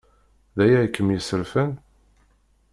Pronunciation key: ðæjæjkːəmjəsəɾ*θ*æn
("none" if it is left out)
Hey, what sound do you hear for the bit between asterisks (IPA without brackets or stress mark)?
f